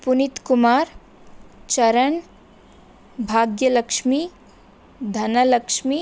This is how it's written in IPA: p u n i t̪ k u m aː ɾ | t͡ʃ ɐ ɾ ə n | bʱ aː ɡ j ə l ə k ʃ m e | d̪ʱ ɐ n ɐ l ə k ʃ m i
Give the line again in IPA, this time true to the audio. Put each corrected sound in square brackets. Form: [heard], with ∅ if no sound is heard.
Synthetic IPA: p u n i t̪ k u m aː ɾ | t͡ʃ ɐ ɾ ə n | bʱ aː ɡ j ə l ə k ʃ m [i] | d̪ʱ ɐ n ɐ l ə k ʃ m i